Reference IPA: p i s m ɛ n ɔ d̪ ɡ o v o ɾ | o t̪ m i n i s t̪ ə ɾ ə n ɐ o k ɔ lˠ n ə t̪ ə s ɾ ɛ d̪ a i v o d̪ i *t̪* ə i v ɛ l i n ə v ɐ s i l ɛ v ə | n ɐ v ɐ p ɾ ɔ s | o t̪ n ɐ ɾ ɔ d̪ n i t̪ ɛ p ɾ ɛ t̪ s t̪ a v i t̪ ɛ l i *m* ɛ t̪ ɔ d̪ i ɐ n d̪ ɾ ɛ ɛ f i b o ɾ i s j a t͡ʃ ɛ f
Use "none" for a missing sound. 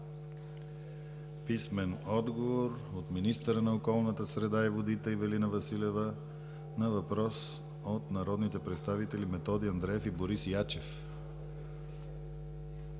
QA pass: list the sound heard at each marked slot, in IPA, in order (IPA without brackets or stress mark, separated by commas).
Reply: t̪, m